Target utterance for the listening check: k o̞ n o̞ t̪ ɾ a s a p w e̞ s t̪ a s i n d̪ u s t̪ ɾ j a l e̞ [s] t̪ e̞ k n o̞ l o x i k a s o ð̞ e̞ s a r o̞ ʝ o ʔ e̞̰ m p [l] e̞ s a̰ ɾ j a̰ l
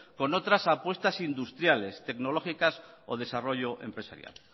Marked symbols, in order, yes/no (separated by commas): yes, no